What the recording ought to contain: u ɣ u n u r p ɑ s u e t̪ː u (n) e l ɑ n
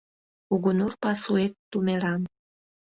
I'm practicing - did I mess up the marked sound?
yes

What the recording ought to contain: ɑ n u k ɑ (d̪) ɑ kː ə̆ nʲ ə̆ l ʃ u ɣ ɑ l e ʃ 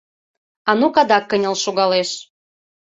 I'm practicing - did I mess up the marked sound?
no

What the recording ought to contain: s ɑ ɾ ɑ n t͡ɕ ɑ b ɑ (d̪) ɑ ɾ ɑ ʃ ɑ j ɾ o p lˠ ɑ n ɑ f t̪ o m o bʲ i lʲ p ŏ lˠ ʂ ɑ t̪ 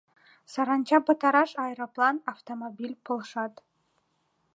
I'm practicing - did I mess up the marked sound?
yes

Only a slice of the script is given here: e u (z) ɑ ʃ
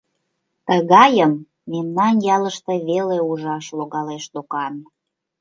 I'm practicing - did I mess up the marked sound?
yes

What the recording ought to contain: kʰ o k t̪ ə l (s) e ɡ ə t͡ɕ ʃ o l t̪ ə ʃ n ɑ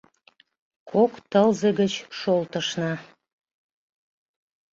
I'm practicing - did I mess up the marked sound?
yes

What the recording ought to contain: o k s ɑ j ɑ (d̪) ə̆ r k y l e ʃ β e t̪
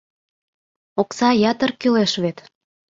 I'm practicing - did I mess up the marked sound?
yes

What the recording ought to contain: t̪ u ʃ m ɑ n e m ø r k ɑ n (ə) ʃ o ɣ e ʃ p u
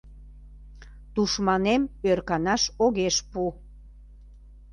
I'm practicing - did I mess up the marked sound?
yes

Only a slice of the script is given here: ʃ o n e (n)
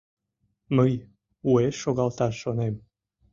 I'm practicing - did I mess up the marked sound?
yes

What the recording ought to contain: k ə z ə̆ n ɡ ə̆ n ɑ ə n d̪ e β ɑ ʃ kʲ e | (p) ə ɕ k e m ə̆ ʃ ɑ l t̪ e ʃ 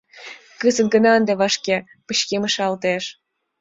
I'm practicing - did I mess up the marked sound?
no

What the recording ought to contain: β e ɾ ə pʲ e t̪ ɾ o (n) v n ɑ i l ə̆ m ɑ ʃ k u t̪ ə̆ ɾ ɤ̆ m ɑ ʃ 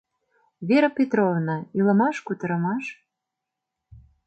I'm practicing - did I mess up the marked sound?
yes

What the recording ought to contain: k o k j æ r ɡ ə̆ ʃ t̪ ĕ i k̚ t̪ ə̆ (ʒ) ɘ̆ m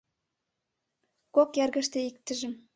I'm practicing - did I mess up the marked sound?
no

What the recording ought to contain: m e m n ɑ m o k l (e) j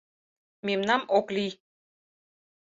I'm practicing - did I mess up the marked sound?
yes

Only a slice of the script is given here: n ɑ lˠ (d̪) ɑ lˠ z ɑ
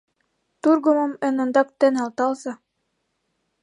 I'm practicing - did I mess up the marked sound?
yes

